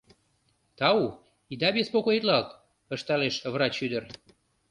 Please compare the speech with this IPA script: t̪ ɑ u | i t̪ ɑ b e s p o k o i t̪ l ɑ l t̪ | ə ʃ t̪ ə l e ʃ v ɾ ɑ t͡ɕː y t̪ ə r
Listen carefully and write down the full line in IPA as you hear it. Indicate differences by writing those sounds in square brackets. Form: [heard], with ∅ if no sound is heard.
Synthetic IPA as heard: t̪ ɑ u | i [d̪] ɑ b e s p o k o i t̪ l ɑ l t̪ | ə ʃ t̪ [ɑ] l e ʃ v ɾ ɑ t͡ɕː y [d̪] ə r